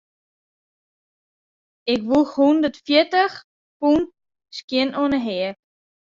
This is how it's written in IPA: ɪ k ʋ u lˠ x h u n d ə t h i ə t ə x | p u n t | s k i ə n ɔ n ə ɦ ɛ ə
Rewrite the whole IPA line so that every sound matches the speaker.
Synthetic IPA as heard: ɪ k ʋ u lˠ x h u n d ə t f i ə t ə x | p u n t | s k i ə n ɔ n ə ɦ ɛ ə